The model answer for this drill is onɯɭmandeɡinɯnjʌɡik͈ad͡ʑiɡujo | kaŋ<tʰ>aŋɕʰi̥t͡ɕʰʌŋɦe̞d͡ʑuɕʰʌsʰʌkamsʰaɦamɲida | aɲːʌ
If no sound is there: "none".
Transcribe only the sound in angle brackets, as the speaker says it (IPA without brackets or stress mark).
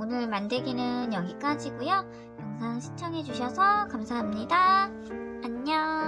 sʰ